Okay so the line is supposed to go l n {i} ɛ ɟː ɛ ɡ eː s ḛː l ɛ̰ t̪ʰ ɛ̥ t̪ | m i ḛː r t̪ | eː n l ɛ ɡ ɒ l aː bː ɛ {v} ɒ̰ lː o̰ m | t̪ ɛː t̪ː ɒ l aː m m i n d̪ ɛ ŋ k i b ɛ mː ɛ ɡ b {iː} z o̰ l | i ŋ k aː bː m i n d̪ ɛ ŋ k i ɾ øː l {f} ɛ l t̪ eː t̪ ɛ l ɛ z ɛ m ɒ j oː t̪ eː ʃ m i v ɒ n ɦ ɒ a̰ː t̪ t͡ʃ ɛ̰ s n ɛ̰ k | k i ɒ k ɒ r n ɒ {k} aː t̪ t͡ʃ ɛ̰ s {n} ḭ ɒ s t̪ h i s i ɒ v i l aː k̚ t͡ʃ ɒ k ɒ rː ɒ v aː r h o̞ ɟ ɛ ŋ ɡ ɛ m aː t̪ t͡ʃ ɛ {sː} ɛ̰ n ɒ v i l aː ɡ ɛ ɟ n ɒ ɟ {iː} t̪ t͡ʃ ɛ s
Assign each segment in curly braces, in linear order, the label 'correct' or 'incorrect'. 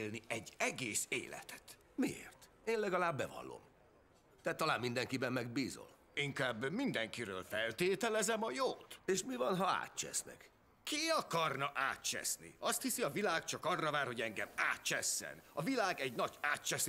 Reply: correct, correct, correct, correct, incorrect: ʔ, correct, correct, incorrect: aː

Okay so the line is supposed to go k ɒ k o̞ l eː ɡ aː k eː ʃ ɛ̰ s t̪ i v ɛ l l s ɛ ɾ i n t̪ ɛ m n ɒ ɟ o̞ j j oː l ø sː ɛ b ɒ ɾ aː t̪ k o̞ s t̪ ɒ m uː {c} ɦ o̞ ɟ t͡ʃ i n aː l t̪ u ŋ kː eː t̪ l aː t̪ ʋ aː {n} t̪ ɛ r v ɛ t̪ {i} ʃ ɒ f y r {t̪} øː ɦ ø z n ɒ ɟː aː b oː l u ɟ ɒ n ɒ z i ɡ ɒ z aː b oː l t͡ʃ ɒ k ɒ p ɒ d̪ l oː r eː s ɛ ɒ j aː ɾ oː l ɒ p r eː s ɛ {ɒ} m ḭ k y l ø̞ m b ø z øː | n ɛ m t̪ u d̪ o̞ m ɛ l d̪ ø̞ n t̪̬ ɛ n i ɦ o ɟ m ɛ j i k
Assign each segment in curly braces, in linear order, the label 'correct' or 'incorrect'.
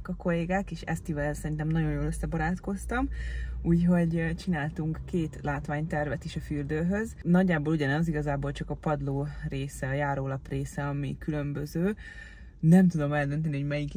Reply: correct, incorrect: ɲ, correct, incorrect: d̪, correct

